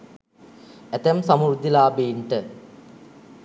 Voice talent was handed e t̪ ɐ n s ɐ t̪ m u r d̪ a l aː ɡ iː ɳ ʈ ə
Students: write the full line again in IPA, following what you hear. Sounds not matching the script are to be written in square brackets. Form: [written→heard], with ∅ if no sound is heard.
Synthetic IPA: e t̪ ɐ [n→m] s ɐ [t̪→∅] m u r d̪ [a→i] l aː [ɡ→b] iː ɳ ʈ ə